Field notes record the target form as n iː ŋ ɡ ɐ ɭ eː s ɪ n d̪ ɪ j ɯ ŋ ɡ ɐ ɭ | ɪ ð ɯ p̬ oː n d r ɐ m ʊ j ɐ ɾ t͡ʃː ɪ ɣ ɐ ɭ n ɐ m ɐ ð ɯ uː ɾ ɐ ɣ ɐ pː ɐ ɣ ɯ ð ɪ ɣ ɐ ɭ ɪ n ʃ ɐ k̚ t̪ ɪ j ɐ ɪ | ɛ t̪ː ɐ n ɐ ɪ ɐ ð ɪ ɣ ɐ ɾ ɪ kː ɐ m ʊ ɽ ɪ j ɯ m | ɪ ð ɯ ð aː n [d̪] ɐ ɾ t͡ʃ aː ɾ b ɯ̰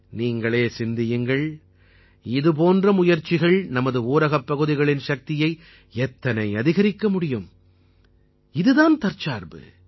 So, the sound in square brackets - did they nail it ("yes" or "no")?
no